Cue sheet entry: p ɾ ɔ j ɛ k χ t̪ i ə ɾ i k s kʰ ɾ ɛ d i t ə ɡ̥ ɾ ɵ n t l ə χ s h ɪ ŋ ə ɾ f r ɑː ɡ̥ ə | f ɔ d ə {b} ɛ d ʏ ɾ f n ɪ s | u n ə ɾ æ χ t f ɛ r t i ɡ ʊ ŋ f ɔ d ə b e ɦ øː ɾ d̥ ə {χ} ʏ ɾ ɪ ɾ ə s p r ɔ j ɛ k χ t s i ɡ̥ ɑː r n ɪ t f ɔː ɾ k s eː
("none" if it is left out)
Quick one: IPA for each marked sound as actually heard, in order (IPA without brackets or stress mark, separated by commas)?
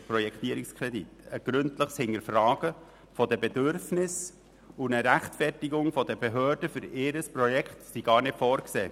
b, f